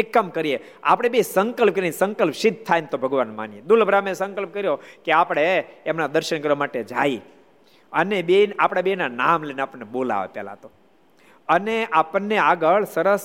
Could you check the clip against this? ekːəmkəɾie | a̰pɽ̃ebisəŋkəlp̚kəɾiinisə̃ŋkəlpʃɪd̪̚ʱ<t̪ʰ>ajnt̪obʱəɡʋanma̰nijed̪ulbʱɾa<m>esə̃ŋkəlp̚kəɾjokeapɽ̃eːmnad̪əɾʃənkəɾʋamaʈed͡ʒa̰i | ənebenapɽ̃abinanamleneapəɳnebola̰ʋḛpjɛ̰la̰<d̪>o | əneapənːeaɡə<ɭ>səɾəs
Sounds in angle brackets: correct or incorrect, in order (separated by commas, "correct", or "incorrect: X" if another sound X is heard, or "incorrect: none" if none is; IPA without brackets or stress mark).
correct, correct, incorrect: t̪, correct